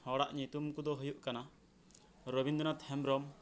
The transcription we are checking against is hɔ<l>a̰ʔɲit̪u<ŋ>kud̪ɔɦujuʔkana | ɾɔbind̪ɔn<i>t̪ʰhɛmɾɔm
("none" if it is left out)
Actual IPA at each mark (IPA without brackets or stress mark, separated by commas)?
ɽ, m, a